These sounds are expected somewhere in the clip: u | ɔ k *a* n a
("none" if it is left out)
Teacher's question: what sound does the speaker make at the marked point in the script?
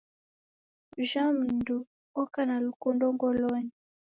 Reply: a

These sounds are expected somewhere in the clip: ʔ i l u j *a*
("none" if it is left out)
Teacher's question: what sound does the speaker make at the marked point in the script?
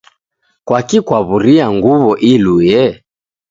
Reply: ɛ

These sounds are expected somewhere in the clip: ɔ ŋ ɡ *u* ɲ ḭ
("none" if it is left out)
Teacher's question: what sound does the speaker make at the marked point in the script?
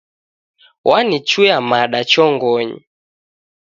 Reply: ɔ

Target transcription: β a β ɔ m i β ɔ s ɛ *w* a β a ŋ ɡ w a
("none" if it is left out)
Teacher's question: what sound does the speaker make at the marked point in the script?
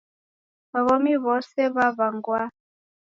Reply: β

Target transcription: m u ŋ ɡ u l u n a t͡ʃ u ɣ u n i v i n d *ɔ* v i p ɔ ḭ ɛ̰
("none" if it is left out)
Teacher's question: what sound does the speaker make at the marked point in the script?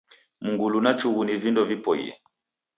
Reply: ɔ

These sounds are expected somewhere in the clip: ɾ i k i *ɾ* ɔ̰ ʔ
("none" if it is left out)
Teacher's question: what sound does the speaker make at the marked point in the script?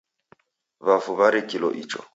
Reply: l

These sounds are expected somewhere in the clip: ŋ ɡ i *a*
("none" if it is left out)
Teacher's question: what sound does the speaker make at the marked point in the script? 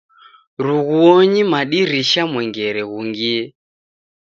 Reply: ɛ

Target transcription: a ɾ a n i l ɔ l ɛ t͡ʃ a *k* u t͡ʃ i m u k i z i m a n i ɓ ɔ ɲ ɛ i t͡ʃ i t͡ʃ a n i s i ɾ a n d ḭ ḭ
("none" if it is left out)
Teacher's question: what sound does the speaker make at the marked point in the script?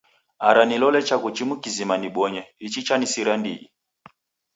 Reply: k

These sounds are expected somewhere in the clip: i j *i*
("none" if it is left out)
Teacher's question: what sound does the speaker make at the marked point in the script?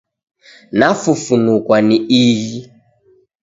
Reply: i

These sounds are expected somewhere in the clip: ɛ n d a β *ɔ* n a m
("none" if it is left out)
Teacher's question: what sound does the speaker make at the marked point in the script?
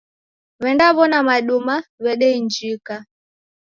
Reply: ɔ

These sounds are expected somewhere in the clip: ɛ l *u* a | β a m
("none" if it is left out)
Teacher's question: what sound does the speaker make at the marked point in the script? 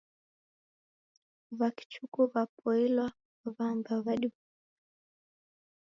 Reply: w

